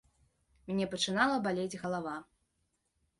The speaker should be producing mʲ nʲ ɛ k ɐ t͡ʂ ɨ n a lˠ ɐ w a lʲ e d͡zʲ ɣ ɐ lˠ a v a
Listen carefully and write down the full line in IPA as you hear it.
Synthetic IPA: mʲ nʲ ɛ p ɐ t͡ʂ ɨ n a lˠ ɐ b a lʲ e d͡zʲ ɣ ɐ lˠ a v a